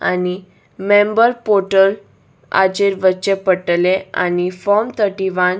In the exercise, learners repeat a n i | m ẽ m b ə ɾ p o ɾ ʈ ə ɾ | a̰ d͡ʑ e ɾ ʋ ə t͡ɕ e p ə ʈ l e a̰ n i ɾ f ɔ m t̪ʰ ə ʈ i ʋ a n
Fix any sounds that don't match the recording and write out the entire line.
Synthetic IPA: a n i | m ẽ m b ə ɾ p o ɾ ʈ ə l | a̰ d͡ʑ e ɾ ʋ ə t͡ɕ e p ə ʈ l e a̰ n i f ɔ m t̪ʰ ə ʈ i ʋ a n